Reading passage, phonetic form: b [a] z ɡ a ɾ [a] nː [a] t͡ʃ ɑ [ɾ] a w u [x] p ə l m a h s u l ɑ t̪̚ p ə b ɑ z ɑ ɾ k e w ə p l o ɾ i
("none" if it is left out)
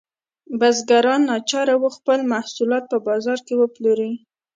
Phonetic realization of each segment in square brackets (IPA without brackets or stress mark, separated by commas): a, ɑ, ɑ, ɾ, x